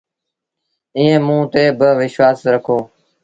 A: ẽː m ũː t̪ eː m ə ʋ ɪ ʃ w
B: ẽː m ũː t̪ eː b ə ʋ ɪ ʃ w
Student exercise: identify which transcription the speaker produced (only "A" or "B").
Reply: B